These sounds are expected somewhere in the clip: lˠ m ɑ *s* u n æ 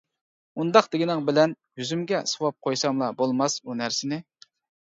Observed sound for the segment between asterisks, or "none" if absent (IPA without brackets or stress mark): s